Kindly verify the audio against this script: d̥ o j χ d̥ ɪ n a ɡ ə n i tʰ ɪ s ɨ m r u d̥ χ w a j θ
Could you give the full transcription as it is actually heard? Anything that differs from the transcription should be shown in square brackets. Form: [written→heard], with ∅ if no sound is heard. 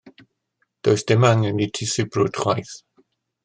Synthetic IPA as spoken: d̥ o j [χ→s] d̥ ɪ [n→m] a [ɡ→ŋ] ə n i tʰ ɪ s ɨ [m→b] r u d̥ χ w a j θ